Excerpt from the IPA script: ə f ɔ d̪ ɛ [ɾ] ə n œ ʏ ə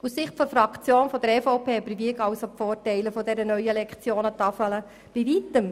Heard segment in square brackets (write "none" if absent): ɾ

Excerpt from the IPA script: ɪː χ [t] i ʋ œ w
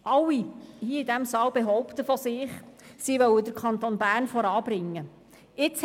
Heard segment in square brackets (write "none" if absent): s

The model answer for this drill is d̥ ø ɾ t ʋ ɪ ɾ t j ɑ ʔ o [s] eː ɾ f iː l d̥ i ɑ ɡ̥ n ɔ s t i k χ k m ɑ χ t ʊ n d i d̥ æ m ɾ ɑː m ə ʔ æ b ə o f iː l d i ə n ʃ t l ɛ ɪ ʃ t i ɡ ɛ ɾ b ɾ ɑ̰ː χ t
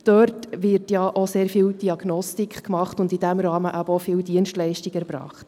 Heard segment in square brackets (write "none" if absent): s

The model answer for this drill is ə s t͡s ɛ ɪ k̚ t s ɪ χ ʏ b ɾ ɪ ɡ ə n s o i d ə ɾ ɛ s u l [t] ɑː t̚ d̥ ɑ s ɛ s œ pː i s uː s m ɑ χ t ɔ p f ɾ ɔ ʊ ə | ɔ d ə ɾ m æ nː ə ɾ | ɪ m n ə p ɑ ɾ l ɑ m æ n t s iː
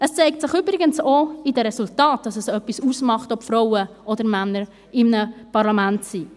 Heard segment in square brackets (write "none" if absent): t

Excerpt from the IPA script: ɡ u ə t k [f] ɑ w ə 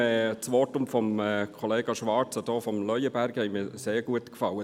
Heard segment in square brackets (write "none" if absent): f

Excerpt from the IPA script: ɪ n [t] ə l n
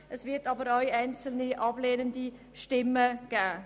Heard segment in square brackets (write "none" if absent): t͡s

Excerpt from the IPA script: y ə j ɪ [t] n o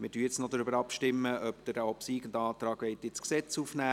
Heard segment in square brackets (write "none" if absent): t͡s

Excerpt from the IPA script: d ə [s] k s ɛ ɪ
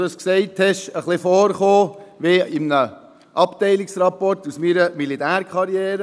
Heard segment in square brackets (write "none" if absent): s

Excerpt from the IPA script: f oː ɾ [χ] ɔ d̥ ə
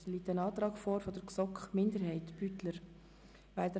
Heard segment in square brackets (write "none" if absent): f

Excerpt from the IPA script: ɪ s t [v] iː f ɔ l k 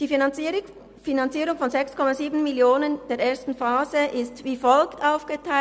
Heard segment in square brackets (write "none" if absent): v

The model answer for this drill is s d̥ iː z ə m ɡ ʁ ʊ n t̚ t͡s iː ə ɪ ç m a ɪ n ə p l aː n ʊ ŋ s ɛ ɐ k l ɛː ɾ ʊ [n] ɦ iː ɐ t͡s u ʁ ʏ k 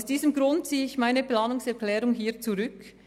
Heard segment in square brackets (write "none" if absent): ŋ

